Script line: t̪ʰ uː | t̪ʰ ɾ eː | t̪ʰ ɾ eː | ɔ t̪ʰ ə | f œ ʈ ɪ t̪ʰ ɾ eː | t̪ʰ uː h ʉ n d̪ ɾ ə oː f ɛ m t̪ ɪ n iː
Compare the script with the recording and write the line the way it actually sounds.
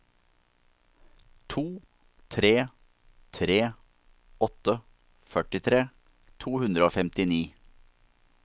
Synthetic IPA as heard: t̪ʰ uː | t̪ʰ ɾ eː | t̪ʰ ɾ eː | ɔ t̪ ə | f œ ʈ ɪ t̪ʰ ɾ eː | t̪ʰ uː h ʉ n d̪ ɾ ə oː f ɛ m t̪ ɪ n iː